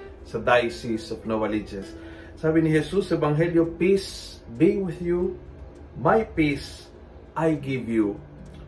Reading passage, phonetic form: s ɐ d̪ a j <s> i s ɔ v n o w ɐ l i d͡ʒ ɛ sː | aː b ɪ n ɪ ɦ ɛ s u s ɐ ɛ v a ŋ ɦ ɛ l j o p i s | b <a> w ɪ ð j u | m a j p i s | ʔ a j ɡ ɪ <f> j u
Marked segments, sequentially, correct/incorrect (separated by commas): correct, incorrect, incorrect